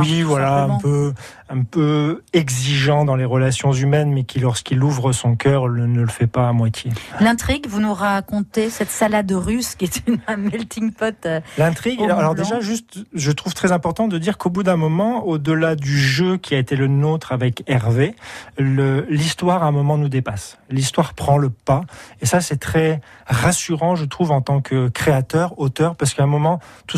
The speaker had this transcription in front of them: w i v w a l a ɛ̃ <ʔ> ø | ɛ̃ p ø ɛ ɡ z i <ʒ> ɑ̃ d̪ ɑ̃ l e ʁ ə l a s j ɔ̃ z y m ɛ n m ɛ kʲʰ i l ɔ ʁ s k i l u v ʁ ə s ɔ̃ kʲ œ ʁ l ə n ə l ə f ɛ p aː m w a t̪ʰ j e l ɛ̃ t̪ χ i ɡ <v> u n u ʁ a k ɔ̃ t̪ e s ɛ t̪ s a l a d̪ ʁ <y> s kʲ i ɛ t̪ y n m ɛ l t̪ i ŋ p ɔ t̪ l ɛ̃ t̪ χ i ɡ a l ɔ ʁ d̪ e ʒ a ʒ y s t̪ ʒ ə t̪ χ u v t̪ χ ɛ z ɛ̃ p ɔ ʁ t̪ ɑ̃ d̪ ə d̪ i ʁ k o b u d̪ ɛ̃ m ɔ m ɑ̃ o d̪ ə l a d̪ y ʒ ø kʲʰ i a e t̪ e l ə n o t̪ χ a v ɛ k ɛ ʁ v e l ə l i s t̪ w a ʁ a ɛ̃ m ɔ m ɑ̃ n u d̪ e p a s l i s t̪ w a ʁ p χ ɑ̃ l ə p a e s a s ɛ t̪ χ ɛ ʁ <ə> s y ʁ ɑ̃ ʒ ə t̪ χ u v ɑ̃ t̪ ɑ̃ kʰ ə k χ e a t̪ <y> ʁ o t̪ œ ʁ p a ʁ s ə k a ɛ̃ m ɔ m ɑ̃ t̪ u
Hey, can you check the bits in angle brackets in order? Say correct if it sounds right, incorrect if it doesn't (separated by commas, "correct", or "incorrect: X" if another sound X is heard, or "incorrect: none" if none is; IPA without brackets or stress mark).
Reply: incorrect: p, correct, correct, correct, incorrect: a, incorrect: œ